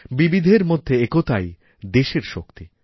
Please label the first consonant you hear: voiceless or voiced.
voiced